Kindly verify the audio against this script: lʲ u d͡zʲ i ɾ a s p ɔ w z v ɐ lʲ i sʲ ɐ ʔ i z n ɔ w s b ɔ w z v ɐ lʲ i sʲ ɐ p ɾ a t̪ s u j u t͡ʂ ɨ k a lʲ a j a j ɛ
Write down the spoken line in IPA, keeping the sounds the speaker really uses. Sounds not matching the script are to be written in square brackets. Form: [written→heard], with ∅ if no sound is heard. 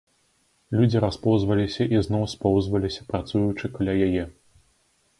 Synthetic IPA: lʲ u d͡zʲ i ɾ a s p ɔ w z v ɐ lʲ i sʲ ɐ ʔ i z n ɔ w s [b→p] ɔ w z v ɐ lʲ i sʲ ɐ p ɾ a t̪ s u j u t͡ʂ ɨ k a lʲ a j a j ɛ